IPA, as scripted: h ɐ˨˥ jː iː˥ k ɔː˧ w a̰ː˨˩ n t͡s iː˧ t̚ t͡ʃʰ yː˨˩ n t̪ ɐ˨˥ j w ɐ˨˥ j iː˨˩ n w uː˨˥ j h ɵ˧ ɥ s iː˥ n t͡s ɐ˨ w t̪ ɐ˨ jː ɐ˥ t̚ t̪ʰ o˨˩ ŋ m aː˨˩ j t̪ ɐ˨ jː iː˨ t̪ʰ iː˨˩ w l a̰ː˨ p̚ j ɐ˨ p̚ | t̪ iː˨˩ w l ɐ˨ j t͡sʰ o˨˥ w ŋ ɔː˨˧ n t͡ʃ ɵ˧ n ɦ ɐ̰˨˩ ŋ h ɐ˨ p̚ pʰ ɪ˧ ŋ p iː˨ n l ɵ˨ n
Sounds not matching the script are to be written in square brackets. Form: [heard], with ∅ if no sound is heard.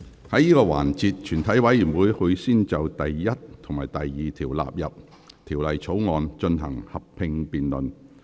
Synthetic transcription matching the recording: h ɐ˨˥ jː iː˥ k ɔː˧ w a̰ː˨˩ n t͡s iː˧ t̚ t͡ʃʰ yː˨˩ n [t̪ʰ] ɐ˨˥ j w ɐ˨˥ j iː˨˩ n w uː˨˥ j h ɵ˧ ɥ s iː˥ n t͡s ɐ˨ w t̪ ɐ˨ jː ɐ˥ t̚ t̪ʰ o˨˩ ŋ m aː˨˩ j t̪ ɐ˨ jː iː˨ t̪ʰ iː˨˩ w l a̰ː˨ p̚ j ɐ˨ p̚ | [t̪ʰ] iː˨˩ w l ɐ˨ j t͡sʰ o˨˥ w ŋ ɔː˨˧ n t͡ʃ ɵ˧ n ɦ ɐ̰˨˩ ŋ h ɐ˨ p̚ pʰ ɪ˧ ŋ p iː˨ n l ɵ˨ n